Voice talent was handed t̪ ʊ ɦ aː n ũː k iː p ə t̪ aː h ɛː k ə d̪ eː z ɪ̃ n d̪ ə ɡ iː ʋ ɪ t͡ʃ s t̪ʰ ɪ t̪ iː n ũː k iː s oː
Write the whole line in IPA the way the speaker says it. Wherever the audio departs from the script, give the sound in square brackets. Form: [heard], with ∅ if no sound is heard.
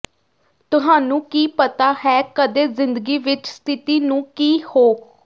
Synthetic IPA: t̪ ʊ ɦ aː n ũː k iː p ə t̪ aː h ɛː k ə d̪ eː z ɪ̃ n d̪ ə ɡ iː ʋ ɪ t͡ʃ s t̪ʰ ɪ t̪ iː n ũː k iː [h] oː